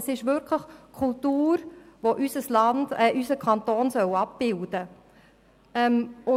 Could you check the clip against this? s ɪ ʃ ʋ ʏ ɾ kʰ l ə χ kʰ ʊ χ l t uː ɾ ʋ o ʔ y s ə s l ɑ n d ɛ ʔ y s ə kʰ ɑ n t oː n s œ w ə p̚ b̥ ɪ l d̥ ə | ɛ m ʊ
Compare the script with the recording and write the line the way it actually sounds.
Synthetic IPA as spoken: s ɪ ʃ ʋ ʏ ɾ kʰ l ə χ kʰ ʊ l t uː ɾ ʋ o ʔ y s ə s l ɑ n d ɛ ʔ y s ə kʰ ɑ n t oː n s œ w ɑ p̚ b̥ ɪ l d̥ ə | ɛ m ʊ